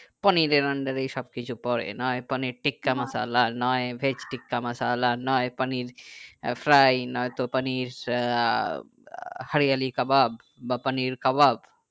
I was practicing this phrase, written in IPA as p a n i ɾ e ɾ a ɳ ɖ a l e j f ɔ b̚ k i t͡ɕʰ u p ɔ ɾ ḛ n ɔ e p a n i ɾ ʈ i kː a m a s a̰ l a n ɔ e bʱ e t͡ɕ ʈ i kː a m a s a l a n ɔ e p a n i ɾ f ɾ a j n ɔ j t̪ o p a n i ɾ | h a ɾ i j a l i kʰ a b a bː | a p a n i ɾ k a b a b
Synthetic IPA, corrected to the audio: p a n i ɾ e ɾ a ɳ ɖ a ɾ e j ʃ ɔ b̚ k i t͡ɕʰ u p ɔ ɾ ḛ n ɔ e p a n i ɾ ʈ i kː a m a s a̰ l a n ɔ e bʱ e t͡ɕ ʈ i kː a m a s a l a n ɔ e p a n i ɾ f ɾ a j n ɔ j t̪ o p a n i ɾ | h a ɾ i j a l i k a b a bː | a p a n i ɾ k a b a b

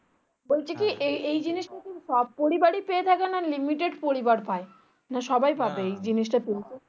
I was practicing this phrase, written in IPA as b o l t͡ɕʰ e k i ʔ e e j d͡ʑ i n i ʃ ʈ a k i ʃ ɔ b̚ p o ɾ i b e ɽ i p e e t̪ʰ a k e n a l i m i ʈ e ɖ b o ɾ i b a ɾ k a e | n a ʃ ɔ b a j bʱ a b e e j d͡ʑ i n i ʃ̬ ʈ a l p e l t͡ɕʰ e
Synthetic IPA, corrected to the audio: b o l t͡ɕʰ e k i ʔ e e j d͡ʑ i n i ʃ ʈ a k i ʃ ɔ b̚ p o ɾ i b a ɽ i p e e t̪ʰ a k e n a l i m i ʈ e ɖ p o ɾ i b a ɾ p a e | n a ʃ ɔ b a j bʱ a b e e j d͡ʑ i n i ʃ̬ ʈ a p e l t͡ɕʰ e

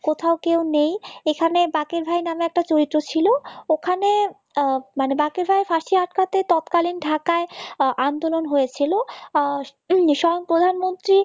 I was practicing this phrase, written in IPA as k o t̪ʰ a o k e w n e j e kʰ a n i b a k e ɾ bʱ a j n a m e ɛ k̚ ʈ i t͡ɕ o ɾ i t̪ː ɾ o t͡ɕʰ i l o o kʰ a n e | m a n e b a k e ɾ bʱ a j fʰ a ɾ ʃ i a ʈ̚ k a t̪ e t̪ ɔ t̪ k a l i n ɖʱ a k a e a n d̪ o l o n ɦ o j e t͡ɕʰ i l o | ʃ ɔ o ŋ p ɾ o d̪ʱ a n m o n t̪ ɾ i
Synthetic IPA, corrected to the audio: k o t̪ʰ a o k e w n e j e kʰ a n e b a k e ɾ bʱ a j n a m e ɛ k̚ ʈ a t͡ɕ o ɾ i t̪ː ɾ o t͡ɕʰ i l o o kʰ a n e | m a n e b a k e ɾ bʱ a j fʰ a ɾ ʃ i a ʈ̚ k a t̪ e t̪ ɔ t̪ k a l i n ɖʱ a k a e a n d̪ o l o n ɦ o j e t͡ɕʰ i l o | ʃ ɔ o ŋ p ɾ o d̪ʱ a n m o n t̪ ɾ i

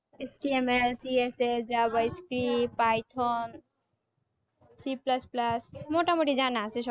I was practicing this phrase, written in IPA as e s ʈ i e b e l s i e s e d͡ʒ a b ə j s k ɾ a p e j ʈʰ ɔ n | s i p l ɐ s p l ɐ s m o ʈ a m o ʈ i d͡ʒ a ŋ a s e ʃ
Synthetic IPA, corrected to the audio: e s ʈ i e m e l s i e s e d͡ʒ a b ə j s k ɾ i p a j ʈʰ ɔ n | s i p l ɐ s p l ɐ s m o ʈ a m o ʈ i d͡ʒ a n a s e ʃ

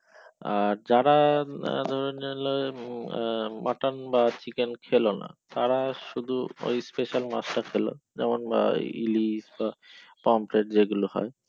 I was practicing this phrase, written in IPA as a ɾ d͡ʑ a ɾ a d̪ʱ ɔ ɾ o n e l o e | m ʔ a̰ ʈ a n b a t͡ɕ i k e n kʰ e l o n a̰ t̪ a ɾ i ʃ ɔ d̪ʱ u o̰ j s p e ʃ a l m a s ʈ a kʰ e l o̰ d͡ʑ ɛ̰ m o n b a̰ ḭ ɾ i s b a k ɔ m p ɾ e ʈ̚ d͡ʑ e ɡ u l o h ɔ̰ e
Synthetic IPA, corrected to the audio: a ɾ d͡ʑ a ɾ a d̪ʱ ɔ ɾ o n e l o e | m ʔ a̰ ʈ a n b a t͡ɕ i k e n kʰ e l o n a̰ t̪ a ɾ a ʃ u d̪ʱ u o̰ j s p e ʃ a l m a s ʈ a kʰ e l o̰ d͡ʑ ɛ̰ m o n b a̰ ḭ l i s b a p ɔ m p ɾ e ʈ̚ d͡ʑ e ɡ u l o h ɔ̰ e

